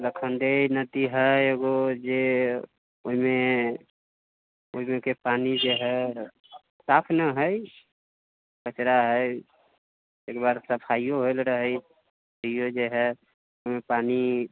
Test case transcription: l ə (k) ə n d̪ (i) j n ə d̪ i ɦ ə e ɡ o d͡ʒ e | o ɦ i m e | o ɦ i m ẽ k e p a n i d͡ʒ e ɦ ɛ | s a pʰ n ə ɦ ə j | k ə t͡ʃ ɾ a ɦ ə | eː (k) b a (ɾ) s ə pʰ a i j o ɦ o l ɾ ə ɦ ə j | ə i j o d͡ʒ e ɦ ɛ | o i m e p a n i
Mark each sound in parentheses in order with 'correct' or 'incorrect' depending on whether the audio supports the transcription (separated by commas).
incorrect, incorrect, correct, correct